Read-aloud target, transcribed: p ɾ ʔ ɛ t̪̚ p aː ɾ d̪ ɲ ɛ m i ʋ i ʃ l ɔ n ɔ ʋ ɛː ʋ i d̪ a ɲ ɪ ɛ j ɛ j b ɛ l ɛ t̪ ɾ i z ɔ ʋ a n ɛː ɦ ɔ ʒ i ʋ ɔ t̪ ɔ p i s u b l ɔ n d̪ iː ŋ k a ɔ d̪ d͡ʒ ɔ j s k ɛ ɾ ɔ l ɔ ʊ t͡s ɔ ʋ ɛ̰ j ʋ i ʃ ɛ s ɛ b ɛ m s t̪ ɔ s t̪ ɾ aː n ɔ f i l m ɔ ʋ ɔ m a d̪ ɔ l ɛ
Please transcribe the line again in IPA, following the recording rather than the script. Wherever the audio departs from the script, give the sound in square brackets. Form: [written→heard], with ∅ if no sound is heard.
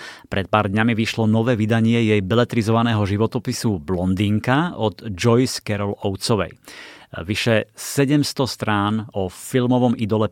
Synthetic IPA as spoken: p ɾ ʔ ɛ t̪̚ p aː ɾ d̪ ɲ [ɛ→a] m i ʋ i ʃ l ɔ n ɔ ʋ ɛː ʋ i d̪ a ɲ ɪ ɛ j ɛ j b ɛ l ɛ t̪ ɾ i z ɔ ʋ a n ɛː ɦ ɔ ʒ i ʋ ɔ t̪ ɔ p i s u b l ɔ n d̪ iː ŋ k a ɔ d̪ d͡ʒ ɔ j s k ɛ ɾ ɔ l ɔ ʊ t͡s ɔ ʋ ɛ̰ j ʋ i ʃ ɛ s ɛ [b→ɟ] ɛ m s t̪ ɔ s t̪ ɾ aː n ɔ f i l m ɔ ʋ ɔ m [a→i] d̪ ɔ l ɛ